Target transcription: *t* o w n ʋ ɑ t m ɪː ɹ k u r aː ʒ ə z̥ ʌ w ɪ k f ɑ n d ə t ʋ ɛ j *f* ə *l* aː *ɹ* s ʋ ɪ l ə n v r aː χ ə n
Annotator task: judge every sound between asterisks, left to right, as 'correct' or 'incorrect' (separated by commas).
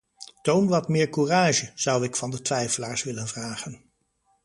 correct, correct, correct, correct